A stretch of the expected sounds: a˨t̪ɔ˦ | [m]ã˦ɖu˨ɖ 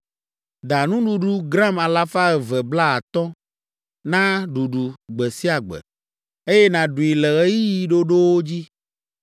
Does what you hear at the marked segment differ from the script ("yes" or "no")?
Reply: yes